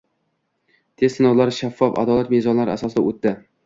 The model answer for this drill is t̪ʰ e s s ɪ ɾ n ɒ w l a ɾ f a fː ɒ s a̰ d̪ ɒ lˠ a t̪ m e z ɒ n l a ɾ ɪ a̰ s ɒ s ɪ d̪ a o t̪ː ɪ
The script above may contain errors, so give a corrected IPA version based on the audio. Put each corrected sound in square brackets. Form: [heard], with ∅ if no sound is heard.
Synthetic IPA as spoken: t̪ʰ e s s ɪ [∅] n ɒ w l a ɾ [ʃ] a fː ɒ [f] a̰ d̪ ɒ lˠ a t̪ m e z ɒ n l a ɾ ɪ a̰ s ɒ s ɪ d̪ a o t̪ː ɪ